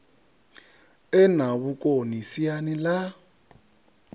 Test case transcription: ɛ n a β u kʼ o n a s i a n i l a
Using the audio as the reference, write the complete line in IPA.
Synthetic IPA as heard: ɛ n a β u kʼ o n i s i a n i l a